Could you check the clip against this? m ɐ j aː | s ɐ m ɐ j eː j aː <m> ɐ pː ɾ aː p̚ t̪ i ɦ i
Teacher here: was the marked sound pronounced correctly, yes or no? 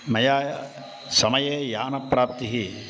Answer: no